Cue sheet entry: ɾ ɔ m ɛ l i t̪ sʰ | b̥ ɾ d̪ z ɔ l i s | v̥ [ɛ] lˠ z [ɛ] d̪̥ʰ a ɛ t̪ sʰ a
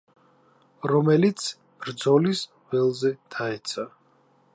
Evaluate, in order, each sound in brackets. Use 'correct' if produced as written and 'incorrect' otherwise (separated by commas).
correct, correct